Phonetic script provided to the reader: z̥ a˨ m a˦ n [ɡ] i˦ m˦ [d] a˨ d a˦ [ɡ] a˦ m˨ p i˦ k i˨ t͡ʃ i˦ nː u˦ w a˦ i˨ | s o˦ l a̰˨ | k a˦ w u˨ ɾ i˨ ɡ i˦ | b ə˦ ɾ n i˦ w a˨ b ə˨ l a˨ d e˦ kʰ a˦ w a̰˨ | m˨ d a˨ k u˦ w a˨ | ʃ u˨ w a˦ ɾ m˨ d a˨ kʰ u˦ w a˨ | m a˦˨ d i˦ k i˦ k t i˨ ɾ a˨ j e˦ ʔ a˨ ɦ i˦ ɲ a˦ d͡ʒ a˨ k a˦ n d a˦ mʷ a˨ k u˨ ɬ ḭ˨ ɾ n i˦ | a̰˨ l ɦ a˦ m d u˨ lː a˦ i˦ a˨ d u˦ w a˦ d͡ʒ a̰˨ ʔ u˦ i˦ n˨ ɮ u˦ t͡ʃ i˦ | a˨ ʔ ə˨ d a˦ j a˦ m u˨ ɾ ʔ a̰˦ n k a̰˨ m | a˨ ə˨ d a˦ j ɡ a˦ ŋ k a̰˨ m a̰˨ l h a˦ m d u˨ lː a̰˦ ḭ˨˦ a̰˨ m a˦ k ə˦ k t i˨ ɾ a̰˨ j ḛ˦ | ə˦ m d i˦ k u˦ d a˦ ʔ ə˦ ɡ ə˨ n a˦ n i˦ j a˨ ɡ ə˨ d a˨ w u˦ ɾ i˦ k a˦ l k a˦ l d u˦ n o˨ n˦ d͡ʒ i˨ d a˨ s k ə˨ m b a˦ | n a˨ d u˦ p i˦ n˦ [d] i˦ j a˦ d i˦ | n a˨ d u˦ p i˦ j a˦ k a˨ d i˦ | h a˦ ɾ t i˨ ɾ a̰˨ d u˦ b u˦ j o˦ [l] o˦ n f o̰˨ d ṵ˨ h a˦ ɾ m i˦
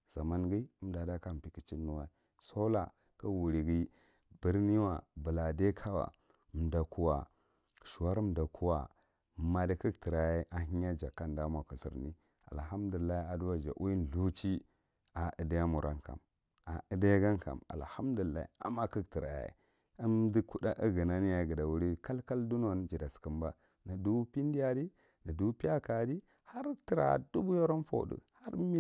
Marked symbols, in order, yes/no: yes, yes, no, yes, no

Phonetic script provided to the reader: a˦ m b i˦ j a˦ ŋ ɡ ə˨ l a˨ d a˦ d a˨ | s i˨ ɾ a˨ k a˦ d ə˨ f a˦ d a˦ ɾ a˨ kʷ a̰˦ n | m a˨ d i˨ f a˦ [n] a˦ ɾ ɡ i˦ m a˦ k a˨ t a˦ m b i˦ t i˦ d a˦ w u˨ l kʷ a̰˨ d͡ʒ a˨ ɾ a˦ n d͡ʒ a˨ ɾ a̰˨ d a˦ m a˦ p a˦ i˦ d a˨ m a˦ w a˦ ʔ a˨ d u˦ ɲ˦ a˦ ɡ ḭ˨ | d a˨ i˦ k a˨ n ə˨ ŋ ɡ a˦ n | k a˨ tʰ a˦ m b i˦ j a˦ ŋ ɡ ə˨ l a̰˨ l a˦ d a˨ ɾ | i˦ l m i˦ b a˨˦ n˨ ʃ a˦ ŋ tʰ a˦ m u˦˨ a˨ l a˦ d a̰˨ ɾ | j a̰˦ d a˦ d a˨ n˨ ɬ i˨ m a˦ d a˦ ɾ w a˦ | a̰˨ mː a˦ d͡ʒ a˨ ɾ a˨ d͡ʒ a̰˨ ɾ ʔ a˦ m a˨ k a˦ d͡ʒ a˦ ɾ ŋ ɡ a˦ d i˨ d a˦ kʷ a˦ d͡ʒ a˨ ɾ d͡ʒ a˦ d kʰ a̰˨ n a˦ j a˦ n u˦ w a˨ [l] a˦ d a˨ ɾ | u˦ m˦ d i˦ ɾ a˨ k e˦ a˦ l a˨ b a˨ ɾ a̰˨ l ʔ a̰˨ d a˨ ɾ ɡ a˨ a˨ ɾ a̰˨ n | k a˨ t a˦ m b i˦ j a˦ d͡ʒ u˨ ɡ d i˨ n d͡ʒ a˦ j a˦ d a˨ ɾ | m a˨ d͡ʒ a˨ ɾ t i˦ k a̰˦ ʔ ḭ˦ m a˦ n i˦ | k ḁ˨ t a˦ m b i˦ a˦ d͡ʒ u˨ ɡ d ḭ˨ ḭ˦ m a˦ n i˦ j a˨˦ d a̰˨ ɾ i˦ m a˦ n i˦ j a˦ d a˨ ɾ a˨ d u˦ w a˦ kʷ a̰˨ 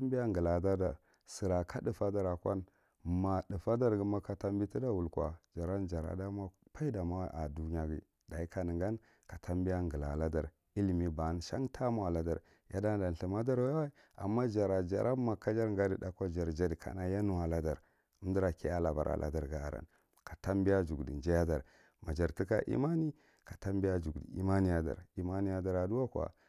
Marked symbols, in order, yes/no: no, yes

